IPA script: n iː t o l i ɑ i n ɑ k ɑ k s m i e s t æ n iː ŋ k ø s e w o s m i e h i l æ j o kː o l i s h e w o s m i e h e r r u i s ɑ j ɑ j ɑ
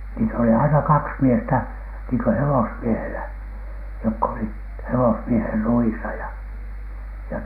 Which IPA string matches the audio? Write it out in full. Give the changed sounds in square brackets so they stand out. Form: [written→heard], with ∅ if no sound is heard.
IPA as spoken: n iː t o l i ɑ i n ɑ k ɑ k s m i e s t æ n iː ŋ k ø [s→h] e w o s m i e h [i→e] l æ j o kː o l i [s→t] h e w o s m i e h e r r u i s ɑ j ɑ j ɑ